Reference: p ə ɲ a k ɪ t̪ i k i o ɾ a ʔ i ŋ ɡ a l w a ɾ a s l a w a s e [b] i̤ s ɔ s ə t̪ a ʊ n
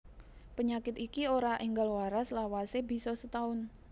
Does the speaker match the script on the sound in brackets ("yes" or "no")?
yes